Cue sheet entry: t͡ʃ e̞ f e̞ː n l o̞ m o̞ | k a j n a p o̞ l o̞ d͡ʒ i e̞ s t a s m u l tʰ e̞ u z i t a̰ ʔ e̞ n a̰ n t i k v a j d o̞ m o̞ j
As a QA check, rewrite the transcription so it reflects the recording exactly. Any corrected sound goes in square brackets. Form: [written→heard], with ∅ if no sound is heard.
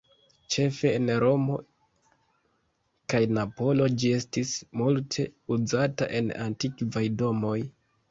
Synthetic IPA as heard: t͡ʃ e̞ f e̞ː n [l→ɾ] o̞ m o̞ | k a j n a p o̞ l o̞ d͡ʒ i e̞ s t [a→i] s m u l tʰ e̞ u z [i→a] t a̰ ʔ e̞ n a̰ n t i k v a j d o̞ m o̞ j